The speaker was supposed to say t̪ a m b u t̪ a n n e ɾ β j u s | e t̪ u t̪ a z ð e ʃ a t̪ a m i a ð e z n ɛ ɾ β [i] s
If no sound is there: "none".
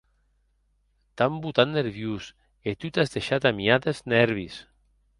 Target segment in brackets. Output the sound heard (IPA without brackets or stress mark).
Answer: i